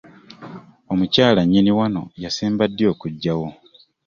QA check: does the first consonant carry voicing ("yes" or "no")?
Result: yes